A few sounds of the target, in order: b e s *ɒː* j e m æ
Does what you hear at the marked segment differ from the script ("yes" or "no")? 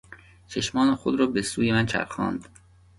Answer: yes